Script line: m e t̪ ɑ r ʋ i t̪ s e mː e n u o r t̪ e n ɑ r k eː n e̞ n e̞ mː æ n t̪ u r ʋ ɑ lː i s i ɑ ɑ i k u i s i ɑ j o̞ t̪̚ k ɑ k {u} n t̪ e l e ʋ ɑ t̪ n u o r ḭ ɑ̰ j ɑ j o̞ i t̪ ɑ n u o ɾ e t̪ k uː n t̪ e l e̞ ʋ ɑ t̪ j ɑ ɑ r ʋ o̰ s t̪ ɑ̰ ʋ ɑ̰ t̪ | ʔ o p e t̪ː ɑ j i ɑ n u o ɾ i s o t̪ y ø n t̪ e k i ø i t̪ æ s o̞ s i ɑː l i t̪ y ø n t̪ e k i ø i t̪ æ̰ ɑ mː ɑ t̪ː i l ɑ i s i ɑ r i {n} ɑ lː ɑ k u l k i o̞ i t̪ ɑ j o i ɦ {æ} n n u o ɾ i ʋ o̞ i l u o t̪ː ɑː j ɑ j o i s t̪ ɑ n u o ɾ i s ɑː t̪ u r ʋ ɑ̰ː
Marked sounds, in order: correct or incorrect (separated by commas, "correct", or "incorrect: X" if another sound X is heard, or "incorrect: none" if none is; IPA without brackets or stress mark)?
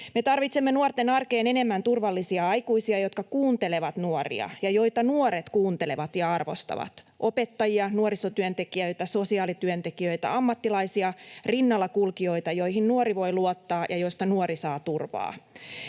incorrect: uː, incorrect: nː, incorrect: i